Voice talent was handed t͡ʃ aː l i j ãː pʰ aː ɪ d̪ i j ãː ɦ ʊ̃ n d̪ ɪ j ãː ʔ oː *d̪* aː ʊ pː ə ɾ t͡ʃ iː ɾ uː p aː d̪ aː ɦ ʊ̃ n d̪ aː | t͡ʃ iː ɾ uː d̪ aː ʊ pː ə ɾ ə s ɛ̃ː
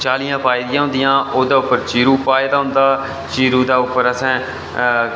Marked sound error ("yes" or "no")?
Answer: no